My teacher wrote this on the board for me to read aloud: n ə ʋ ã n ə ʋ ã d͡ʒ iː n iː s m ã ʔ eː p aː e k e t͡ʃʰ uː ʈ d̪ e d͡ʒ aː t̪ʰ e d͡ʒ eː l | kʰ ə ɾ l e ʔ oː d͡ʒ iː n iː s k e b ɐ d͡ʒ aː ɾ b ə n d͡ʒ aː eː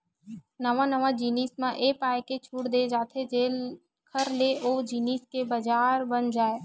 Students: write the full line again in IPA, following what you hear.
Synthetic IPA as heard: n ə ʋ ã n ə ʋ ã d͡ʒ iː n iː s m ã ʔ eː p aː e k e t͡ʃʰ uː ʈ d̪ e d͡ʒ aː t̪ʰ e d͡ʒ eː l | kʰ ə ɾ l e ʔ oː d͡ʒ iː n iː s k e b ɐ d͡ʒ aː ɾ b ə n d͡ʒ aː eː